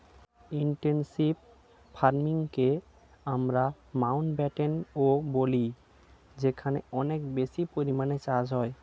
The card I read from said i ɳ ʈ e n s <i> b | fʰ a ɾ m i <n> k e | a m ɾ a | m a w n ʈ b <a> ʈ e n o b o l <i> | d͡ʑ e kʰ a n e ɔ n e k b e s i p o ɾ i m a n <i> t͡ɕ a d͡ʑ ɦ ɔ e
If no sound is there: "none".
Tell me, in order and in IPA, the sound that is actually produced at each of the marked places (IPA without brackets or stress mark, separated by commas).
i, ŋ, ɛ, i, e